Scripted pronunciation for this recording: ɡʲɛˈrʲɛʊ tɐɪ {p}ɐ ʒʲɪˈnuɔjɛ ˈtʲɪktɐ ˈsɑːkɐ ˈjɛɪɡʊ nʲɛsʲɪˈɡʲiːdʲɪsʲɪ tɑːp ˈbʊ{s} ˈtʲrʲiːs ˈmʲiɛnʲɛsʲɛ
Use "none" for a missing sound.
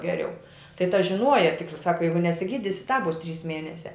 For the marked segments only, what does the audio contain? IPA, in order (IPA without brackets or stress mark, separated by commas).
t, s